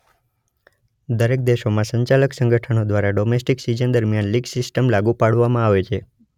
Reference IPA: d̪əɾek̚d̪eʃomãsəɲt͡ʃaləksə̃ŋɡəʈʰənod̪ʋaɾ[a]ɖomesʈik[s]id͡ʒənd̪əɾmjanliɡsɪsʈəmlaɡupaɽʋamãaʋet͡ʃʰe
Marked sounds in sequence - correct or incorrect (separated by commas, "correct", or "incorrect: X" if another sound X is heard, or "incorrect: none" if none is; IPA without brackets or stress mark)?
correct, correct